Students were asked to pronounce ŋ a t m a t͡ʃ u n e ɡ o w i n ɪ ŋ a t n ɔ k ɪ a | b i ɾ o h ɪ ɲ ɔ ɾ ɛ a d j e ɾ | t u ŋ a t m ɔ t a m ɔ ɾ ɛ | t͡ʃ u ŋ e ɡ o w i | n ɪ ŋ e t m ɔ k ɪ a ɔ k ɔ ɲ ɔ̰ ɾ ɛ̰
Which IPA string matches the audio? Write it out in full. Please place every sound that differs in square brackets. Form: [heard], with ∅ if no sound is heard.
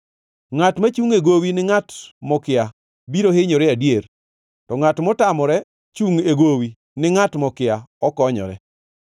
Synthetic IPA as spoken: ŋ a t m a t͡ʃ u [ŋ] e ɡ o w i n ɪ ŋ a t [m] ɔ k ɪ a | b i ɾ o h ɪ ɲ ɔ ɾ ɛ a d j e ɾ | t [ɔ] ŋ a t m ɔ t a m ɔ ɾ ɛ | t͡ʃ u ŋ e ɡ o w i | n ɪ ŋ [a] t m ɔ k ɪ a ɔ k ɔ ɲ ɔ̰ ɾ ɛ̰